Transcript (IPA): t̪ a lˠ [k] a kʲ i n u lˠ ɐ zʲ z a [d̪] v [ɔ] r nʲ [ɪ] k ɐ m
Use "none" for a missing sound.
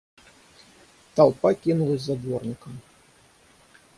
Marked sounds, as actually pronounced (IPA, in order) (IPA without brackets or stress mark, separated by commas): p, d̪, ɔ, i